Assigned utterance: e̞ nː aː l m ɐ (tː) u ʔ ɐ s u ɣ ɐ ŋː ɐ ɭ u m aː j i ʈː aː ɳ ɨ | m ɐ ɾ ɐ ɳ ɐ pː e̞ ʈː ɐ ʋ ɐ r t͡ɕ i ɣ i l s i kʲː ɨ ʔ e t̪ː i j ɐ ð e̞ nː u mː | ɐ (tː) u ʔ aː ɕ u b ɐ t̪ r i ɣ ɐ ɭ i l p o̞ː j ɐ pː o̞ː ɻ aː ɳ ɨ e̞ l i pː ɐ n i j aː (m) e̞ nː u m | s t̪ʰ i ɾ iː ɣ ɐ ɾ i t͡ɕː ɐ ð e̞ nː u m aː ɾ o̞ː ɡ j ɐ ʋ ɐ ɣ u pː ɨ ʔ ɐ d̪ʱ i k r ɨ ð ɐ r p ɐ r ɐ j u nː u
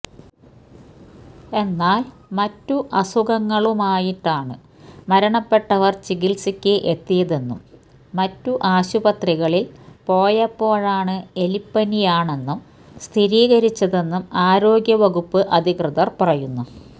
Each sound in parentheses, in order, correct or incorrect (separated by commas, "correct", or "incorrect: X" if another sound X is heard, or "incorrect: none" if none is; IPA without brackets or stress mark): correct, correct, incorrect: ɳ